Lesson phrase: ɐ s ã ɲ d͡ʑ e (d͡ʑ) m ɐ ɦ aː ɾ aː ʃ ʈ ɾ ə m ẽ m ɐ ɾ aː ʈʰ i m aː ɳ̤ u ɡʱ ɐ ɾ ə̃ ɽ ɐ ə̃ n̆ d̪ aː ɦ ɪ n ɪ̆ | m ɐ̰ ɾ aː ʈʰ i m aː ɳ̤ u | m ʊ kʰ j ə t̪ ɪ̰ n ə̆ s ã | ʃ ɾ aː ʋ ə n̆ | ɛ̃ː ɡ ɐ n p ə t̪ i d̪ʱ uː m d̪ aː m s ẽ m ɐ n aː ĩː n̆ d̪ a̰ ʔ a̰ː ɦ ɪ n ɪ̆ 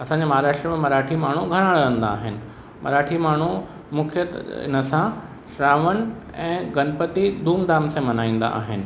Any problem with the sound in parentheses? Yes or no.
yes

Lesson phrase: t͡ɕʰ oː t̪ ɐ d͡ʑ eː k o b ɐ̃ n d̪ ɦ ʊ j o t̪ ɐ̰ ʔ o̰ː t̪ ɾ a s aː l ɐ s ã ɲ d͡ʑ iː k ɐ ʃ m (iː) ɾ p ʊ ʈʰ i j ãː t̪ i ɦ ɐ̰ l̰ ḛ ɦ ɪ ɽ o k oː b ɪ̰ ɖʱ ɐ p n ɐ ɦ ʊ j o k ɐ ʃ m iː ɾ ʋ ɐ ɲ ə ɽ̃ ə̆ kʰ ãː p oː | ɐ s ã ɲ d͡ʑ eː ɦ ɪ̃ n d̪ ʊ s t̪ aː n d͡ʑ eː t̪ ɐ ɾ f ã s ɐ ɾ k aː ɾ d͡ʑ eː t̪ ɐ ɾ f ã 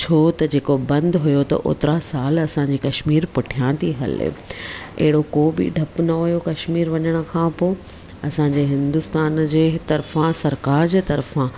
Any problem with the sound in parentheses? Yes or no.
no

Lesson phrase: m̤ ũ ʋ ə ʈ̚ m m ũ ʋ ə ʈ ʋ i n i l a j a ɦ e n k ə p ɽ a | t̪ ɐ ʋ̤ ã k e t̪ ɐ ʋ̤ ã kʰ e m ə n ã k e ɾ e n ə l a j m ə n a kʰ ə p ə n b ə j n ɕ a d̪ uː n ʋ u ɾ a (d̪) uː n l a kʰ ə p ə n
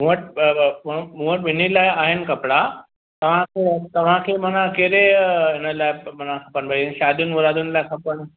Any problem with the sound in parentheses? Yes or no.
no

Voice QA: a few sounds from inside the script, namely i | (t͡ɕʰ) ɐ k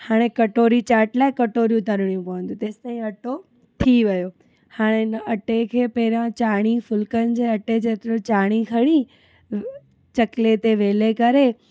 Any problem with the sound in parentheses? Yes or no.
yes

